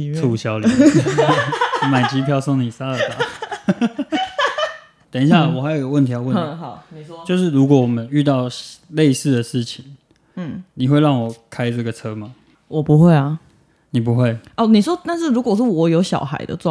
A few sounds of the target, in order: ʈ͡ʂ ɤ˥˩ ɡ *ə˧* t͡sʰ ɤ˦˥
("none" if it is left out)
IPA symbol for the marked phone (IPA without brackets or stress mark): ə˩